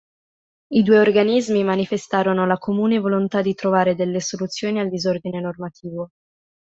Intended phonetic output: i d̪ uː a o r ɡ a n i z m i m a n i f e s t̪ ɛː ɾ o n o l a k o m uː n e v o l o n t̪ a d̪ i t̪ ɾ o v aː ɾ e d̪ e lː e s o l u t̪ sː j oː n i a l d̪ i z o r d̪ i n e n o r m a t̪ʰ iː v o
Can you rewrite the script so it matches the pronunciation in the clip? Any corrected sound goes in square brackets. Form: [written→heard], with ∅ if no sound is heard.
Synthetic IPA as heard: i d̪ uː [a→e] o r ɡ a n i z m i m a n i f e s t̪ [ɛː→aː] ɾ o n o l a k o m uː n e v o l o n t̪ a d̪ i t̪ ɾ o v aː ɾ e d̪ e lː e s o l u t̪ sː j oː n i a l d̪ i z o r d̪ i n e n o r m a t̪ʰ iː v o